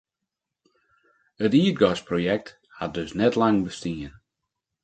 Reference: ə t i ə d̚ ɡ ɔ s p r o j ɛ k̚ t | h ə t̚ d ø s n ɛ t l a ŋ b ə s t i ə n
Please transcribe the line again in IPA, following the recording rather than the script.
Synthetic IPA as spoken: ə t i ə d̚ ɡ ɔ s p r o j ɛ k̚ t | h a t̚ d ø s n ɛ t l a ŋ b ə s t i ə n